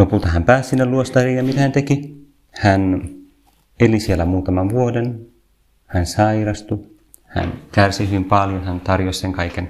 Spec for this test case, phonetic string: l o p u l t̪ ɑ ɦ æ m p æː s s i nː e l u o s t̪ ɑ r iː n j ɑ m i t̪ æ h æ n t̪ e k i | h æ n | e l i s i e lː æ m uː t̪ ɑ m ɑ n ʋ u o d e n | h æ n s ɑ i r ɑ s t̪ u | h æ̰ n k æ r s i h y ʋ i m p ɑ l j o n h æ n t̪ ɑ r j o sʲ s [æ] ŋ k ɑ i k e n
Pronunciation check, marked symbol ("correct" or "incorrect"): incorrect